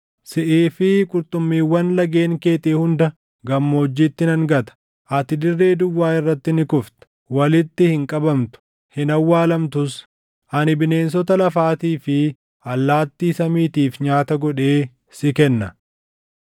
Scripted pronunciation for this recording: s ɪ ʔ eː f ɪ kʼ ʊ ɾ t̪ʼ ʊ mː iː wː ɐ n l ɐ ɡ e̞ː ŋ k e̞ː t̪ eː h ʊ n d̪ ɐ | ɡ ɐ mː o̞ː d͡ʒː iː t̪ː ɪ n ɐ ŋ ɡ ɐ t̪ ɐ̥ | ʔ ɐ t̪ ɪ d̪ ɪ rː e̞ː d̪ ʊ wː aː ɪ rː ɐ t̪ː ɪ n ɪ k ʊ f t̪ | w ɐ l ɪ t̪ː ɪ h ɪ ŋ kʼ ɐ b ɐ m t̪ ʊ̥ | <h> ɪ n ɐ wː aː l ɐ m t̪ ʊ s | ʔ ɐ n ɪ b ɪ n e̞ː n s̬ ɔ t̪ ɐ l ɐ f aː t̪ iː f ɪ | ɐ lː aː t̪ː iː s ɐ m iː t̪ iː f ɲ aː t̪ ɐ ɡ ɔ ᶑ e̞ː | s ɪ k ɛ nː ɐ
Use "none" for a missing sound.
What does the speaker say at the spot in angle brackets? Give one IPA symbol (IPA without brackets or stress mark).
h